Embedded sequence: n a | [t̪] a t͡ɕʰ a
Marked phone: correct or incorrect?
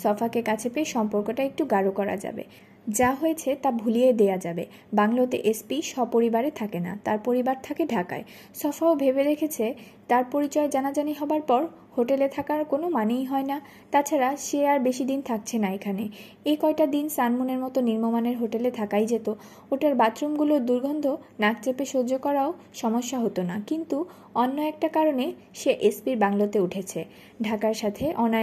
correct